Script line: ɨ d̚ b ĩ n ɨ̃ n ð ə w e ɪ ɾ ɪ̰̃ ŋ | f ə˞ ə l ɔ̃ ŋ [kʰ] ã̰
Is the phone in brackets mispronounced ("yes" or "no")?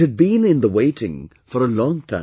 yes